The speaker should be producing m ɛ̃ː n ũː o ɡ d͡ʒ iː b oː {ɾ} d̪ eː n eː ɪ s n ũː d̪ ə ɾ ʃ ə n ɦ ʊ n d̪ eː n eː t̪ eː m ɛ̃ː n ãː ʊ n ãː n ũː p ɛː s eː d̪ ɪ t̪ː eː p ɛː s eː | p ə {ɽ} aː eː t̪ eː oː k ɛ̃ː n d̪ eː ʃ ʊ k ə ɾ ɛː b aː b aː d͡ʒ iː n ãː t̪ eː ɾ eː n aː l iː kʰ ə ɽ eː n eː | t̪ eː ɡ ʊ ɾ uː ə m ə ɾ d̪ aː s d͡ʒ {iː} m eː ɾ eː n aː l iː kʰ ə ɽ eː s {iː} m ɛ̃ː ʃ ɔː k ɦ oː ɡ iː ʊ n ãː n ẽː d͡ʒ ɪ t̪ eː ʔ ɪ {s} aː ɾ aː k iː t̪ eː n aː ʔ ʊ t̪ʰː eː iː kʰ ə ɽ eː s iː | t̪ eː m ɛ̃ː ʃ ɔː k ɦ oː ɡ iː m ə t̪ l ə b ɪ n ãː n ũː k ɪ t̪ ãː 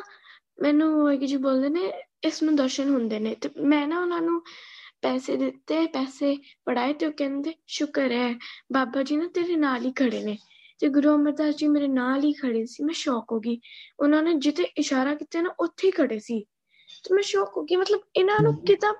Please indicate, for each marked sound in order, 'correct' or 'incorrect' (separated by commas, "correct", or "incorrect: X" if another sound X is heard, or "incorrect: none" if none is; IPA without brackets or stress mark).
incorrect: l, correct, correct, correct, incorrect: ʃ